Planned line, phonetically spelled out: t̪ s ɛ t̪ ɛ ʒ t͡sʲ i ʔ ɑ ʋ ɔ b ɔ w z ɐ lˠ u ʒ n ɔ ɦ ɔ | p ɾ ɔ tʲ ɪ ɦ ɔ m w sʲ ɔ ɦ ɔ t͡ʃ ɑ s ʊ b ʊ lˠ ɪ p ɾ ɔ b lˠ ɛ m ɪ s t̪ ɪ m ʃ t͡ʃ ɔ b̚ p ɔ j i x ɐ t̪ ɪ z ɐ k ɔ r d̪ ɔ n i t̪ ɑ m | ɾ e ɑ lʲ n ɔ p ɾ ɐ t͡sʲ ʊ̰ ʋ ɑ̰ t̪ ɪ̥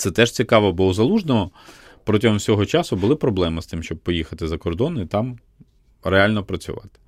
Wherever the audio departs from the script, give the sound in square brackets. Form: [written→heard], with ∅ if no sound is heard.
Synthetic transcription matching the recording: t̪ s ɛ t̪ ɛ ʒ t͡sʲ i [ʔ→k] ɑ ʋ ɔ b ɔ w z ɐ lˠ u ʒ n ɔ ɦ ɔ | p ɾ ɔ tʲ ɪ ɦ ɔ m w sʲ ɔ ɦ ɔ t͡ʃ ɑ s ʊ b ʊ lˠ ɪ p ɾ ɔ b lˠ ɛ m ɪ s t̪ ɪ m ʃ t͡ʃ ɔ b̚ p ɔ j i x ɐ t̪ ɪ z ɐ k ɔ r d̪ ɔ n i t̪ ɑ m | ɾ e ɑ lʲ n ɔ p ɾ ɐ t͡sʲ ʊ̰ ʋ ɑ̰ t̪ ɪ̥